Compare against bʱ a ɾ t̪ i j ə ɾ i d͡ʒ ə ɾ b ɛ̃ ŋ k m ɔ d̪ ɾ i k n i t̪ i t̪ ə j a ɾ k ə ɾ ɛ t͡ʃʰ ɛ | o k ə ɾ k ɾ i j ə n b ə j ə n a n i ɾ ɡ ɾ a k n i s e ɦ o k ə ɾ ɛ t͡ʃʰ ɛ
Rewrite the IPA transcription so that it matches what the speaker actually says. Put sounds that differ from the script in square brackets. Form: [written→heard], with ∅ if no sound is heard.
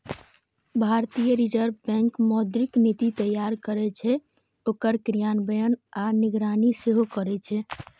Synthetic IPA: bʱ a ɾ t̪ i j ə ɾ i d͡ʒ ə ɾ b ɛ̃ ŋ k m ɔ d̪ ɾ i k n i t̪ i t̪ ə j a ɾ k ə ɾ ɛ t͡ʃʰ ɛ | o k ə ɾ k ɾ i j [ə→a] n b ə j ə n a n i [ɾ→∅] ɡ ɾ a [k→∅] n i s e ɦ o k ə ɾ ɛ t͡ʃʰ ɛ